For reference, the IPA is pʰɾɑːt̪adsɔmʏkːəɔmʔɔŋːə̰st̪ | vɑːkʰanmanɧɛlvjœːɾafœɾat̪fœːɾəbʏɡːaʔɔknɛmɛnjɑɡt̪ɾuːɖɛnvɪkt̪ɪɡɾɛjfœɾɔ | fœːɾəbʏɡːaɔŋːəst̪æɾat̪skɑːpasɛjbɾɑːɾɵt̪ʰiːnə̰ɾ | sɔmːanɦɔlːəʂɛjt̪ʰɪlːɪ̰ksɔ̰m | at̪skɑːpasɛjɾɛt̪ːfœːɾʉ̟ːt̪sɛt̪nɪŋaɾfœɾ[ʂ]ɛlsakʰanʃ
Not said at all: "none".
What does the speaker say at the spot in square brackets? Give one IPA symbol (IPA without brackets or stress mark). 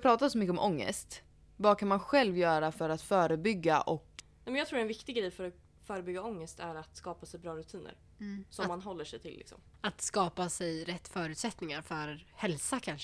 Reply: h